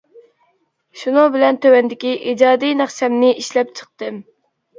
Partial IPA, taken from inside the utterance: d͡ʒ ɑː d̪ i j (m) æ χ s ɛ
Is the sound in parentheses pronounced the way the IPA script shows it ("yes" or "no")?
no